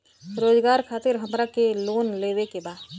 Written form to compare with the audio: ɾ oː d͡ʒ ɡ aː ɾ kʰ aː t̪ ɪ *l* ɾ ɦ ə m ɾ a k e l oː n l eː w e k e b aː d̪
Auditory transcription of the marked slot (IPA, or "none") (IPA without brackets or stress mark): none